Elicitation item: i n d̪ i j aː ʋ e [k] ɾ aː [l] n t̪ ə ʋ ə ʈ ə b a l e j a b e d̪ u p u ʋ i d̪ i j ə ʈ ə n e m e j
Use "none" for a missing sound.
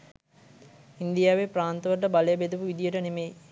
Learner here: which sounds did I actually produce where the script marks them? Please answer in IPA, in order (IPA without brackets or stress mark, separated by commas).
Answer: p, none